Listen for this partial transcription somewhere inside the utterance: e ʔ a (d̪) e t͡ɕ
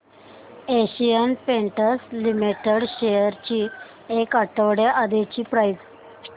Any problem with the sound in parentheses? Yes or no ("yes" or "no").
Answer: no